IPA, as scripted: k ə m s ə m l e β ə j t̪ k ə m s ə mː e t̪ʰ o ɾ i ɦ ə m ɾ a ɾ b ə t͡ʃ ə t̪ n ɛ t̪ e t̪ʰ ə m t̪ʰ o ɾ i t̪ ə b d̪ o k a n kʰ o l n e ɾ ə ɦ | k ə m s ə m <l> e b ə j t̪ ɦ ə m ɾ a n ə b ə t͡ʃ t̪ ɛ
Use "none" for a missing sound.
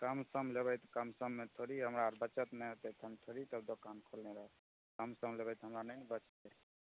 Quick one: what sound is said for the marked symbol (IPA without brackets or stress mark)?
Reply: l